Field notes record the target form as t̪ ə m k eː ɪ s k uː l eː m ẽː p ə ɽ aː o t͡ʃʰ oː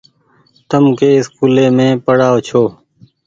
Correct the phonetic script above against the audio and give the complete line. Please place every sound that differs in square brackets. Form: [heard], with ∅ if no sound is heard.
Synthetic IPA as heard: t̪ ə m k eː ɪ s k uː l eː m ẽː p ə ɽ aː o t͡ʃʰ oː